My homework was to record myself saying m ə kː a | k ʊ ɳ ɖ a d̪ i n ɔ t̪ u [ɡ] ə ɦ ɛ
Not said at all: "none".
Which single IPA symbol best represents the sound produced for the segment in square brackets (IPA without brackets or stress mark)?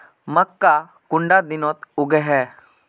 ɡ